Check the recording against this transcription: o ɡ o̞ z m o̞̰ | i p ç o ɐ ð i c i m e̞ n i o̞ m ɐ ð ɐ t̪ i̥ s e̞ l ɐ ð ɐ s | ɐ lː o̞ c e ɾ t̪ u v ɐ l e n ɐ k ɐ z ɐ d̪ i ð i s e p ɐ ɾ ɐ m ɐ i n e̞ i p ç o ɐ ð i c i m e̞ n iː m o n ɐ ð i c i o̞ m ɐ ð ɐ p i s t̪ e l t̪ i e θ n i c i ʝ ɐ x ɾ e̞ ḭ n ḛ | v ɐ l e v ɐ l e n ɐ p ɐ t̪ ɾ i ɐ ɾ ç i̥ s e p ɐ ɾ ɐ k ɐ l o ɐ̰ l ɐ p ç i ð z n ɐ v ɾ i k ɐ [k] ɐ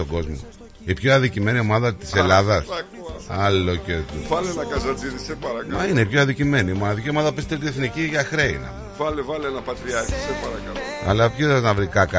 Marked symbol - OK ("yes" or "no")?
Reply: yes